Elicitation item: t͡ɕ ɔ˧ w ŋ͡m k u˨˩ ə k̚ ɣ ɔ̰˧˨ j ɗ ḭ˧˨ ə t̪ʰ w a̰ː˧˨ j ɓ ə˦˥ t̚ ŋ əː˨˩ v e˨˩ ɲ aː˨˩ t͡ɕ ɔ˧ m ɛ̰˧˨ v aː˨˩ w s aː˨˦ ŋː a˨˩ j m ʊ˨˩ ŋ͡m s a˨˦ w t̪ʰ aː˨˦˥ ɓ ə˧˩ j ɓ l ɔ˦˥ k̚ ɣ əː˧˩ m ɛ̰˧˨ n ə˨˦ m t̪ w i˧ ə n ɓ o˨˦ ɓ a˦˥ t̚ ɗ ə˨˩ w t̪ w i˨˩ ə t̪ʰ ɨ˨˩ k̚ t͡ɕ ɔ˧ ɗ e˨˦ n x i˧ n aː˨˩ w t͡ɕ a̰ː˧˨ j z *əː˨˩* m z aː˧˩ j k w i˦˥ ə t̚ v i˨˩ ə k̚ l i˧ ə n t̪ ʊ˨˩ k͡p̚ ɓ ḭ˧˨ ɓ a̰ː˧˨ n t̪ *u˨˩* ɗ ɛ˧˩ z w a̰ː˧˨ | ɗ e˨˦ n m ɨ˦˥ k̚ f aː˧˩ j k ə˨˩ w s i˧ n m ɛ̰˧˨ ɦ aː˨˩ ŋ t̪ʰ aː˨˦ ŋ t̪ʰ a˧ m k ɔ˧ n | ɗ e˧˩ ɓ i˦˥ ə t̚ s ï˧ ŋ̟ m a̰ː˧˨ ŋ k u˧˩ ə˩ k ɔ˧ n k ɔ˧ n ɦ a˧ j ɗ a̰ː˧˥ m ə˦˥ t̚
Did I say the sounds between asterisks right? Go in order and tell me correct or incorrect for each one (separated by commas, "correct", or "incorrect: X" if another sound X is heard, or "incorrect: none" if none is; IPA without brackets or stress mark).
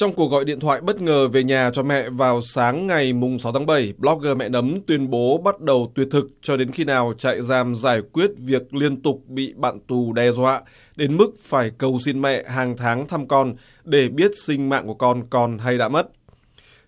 incorrect: aː˨˩, correct